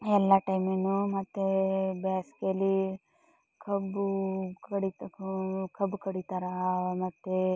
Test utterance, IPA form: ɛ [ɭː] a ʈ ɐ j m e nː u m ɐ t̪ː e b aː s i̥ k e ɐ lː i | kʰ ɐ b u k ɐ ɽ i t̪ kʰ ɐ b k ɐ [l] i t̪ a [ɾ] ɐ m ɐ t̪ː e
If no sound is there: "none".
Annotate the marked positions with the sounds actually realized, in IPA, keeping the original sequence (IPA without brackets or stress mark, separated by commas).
lː, ɽ, ɾ